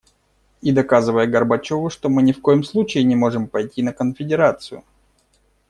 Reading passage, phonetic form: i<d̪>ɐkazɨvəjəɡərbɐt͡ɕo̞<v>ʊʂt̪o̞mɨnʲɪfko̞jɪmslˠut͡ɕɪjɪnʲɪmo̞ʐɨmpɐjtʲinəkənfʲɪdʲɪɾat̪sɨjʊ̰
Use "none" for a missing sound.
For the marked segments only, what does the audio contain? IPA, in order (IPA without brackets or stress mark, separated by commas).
d̪, v